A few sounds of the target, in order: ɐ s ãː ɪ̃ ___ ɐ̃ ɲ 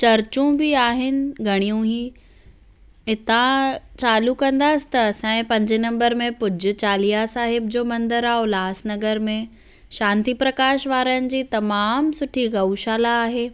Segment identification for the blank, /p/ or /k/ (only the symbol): p